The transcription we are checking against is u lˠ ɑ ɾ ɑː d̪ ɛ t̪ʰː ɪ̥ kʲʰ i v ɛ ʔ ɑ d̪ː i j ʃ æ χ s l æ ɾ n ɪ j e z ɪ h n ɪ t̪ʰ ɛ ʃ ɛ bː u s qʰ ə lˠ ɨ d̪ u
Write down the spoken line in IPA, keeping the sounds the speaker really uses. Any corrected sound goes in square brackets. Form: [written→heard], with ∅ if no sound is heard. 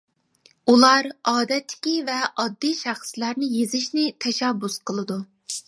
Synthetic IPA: u lˠ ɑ ɾ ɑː d̪ ɛ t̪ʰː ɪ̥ [kʲʰ→kʲ] i v ɛ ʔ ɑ d̪ː i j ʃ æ χ s l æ ɾ n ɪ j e z ɪ [h→ʃ] n ɪ t̪ʰ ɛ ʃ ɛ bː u s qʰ ə lˠ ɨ d̪ u